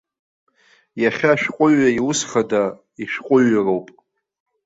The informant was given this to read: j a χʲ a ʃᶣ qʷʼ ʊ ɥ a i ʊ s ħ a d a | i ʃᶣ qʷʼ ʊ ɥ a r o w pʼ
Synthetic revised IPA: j a χʲ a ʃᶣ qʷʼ ʊ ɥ a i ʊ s χ a d a | i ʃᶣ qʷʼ ʊ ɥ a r o w pʼ